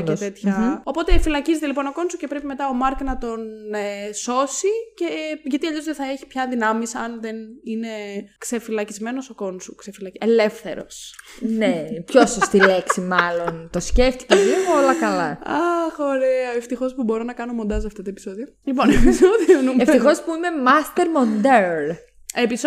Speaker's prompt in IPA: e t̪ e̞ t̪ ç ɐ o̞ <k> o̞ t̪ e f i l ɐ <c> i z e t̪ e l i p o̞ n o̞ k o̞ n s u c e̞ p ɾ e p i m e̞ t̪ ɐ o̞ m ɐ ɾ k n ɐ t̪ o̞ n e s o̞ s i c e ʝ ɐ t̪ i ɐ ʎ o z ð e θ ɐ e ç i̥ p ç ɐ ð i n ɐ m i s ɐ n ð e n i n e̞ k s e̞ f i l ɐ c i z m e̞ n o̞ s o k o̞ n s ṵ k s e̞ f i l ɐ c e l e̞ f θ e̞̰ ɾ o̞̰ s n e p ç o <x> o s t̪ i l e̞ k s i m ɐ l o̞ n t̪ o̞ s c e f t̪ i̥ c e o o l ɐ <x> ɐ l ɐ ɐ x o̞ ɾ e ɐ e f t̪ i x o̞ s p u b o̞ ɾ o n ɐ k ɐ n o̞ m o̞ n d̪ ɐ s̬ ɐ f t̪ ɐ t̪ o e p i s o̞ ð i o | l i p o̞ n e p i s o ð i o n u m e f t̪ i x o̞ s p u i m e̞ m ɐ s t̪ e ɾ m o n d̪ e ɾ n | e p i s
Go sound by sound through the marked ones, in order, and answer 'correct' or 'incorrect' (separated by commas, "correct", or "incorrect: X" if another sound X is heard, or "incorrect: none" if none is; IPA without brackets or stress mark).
incorrect: p, correct, incorrect: s, incorrect: k